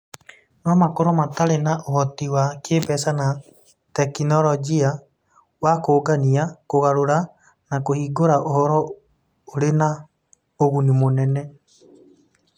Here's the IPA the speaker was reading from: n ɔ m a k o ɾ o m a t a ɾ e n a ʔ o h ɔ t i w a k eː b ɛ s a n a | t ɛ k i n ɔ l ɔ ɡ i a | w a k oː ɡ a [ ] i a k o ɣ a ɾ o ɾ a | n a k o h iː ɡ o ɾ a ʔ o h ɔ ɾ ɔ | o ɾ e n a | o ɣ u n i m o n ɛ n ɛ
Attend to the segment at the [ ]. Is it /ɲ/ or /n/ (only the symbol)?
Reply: n